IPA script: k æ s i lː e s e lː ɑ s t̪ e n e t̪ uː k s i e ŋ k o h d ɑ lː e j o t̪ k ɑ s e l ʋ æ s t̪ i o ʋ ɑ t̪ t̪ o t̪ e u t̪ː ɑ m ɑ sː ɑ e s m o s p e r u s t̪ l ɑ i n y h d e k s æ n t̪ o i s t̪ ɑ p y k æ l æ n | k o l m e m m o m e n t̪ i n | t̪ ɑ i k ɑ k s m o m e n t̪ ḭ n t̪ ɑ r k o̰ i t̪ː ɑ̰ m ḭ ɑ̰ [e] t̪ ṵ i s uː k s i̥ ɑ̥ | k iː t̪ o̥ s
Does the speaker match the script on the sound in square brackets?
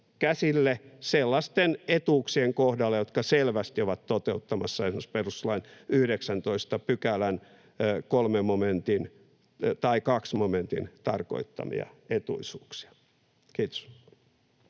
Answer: yes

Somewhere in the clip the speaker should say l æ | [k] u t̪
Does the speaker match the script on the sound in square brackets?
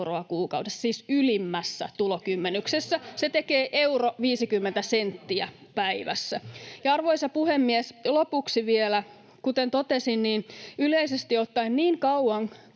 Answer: yes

